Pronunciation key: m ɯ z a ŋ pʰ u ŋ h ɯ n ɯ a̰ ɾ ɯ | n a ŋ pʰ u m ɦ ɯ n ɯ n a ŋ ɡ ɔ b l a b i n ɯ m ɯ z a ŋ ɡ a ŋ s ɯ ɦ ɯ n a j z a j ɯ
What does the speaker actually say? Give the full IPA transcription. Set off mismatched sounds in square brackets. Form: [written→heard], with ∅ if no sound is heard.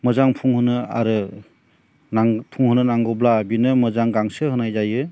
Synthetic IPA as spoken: m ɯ z a ŋ pʰ u ŋ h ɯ n ɯ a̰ ɾ ɯ | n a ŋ pʰ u [m→ŋ] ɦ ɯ n ɯ n a ŋ ɡ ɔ b l a b i n ɯ m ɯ z a ŋ ɡ a ŋ s ɯ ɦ ɯ n a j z a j ɯ